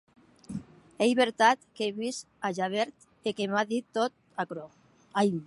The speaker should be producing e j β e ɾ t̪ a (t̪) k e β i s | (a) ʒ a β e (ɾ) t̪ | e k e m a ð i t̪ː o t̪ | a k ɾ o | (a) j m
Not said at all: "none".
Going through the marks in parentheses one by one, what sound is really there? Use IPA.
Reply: t̪, a, ɾ, a

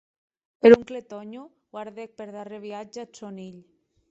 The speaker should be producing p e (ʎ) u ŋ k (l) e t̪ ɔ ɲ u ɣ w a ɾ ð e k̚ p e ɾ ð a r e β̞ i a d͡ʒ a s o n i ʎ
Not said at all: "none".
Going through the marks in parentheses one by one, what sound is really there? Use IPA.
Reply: ɾ, l

